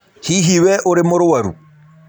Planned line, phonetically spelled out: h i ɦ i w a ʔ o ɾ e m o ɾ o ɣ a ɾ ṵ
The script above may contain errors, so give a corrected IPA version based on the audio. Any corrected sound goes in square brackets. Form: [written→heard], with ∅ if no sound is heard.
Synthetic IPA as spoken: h i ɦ i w [a→ɛ] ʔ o ɾ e m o ɾ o [ɣ→w] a ɾ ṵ